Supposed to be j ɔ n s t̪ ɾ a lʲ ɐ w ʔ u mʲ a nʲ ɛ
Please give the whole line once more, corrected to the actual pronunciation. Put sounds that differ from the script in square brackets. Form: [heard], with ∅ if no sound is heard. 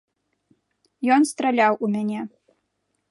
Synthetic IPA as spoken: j ɔ n s t̪ ɾ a lʲ [a] w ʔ u mʲ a nʲ ɛ